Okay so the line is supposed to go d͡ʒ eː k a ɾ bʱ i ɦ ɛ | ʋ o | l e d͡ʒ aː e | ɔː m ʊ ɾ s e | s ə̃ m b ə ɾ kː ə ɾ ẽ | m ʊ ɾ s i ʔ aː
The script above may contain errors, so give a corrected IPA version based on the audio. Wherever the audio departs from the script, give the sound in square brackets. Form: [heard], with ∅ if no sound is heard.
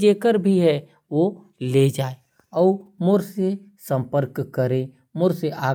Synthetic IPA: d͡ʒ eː k [ə] ɾ bʱ i ɦ ɛ | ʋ o | l e d͡ʒ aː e | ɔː m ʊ ɾ s e | s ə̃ m [p] ə ɾ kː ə ɾ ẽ | m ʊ ɾ s [e] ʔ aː